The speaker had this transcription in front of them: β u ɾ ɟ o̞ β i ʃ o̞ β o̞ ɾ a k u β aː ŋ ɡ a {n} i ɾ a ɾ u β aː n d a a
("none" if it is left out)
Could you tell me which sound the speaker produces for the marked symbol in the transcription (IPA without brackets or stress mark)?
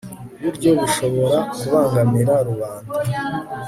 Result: m